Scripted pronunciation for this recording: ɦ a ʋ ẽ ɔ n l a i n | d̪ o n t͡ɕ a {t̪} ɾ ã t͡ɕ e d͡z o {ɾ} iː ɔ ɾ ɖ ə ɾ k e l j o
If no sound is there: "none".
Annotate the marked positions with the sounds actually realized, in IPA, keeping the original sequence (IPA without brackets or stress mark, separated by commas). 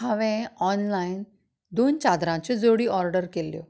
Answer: d̪, ɽ